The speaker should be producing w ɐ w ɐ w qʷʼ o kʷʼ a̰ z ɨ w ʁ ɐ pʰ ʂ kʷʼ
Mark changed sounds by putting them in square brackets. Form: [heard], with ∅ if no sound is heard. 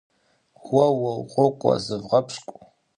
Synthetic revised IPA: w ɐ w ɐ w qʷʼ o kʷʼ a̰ z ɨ [v] ʁ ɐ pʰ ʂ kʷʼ

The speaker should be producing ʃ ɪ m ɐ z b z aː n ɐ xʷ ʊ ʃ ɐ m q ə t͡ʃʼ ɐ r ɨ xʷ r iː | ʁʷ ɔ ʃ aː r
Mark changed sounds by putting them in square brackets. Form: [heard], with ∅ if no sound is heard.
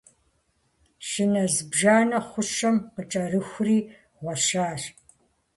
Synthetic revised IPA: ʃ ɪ [n] ɐ z b [ʒ] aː n ɐ [χʷ] ʊ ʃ ɐ m q ə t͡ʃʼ ɐ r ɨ xʷ r iː | ʁʷ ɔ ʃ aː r

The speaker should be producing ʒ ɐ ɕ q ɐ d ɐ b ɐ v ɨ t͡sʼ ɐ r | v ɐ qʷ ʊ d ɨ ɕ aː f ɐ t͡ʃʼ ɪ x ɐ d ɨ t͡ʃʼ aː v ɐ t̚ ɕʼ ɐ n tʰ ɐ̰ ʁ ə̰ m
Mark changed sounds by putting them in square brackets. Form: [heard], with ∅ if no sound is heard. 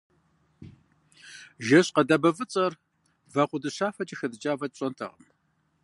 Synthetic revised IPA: ʒ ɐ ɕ q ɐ d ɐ b ɐ v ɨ t͡sʼ ɐ r | v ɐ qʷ ʊ d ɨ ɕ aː f ɐ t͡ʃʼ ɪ x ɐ d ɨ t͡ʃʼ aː v ɐ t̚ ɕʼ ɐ n tʰ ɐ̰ ʁ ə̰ m

